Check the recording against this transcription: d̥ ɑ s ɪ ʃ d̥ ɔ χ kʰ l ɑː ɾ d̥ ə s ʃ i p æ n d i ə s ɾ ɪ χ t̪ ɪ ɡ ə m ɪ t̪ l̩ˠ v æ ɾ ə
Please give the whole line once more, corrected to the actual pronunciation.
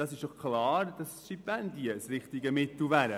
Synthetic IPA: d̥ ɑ s ɪ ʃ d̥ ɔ χ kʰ l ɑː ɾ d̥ ɑ s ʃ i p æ n d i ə s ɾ ɪ χ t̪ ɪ ɡ ə m ɪ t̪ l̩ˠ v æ ɾ ə